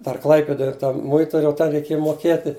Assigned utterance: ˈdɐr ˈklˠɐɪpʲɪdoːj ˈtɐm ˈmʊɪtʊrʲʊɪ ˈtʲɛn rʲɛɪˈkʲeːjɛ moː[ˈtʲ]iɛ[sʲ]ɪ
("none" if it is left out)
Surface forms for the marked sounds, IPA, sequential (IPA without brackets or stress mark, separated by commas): kʲ, tʲ